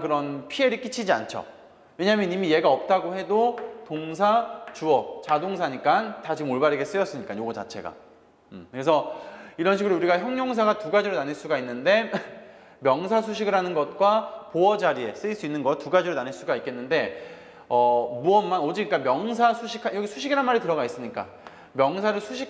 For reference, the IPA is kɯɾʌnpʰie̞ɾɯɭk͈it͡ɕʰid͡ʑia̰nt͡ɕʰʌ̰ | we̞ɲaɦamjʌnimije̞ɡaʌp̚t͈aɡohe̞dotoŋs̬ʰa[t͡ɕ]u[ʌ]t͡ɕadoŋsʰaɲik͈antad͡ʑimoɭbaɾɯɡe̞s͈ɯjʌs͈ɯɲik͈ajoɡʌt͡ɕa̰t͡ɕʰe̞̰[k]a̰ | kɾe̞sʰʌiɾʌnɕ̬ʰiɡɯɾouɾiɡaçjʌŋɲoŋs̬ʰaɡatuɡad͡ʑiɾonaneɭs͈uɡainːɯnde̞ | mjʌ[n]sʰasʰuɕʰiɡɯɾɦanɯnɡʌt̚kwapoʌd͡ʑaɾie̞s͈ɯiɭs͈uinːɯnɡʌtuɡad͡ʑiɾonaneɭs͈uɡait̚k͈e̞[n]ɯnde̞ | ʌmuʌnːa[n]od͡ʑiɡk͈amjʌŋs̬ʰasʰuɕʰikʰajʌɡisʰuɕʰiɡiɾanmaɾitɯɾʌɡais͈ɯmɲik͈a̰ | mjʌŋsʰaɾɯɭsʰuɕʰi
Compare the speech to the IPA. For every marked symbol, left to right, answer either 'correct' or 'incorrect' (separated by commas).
correct, correct, incorrect, incorrect, incorrect, correct